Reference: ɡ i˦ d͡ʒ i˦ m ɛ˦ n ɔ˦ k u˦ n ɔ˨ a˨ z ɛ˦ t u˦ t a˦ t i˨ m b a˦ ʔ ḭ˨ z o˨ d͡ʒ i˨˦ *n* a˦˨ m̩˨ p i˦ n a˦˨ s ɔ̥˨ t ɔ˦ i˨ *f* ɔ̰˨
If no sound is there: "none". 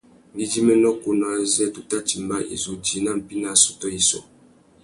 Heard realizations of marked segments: n, s

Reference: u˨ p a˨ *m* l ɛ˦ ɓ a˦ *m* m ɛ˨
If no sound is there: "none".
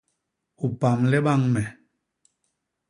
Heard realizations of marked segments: m, ŋ

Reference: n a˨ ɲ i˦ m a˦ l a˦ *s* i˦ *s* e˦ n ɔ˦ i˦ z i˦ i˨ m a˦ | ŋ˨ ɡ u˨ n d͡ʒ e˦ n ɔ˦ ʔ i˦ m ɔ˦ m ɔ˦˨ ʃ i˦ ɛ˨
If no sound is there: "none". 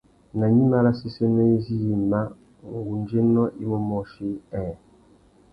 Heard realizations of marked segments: s, s

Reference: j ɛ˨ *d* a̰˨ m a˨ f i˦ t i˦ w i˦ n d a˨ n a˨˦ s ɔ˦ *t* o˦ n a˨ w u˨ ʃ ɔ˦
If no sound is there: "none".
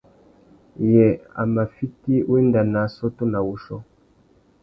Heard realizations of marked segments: none, t

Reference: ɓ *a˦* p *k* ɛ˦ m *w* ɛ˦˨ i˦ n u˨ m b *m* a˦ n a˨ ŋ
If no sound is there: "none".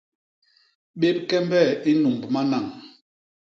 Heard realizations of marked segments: e˦, k, b, m

